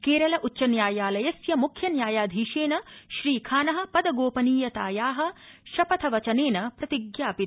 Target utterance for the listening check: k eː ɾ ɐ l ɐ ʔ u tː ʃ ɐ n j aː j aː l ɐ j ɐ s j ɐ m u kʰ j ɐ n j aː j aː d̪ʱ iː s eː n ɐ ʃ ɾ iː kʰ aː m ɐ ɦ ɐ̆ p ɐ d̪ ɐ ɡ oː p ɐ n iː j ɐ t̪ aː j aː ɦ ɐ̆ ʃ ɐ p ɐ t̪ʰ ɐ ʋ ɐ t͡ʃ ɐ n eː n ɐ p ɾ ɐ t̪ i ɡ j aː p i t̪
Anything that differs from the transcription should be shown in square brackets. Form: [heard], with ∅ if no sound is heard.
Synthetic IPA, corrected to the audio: k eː ɾ ɐ l ɐ ʔ u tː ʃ ɐ n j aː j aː l ɐ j ɐ s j ɐ m u kʰ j ɐ n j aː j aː d̪ʱ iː [ʃ] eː n ɐ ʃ ɾ iː kʰ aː [n] ɐ ɦ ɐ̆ p ɐ d̪ ɐ ɡ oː p ɐ n iː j ɐ t̪ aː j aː ɦ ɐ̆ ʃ ɐ p ɐ t̪ʰ ɐ ʋ ɐ t͡ʃ ɐ n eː n ɐ p ɾ ɐ t̪ i ɡ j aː p i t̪